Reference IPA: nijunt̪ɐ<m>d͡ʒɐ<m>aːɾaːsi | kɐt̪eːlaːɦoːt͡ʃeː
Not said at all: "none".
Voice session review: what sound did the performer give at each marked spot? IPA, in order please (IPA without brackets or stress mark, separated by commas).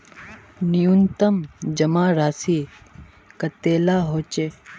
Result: m, m